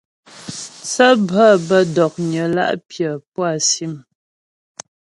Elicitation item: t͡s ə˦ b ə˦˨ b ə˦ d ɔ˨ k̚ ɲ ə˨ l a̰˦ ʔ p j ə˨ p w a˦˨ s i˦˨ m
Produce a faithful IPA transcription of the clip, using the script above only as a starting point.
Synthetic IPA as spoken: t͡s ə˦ b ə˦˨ b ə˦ d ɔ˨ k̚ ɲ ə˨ l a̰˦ ʔ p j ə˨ p w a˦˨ s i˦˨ m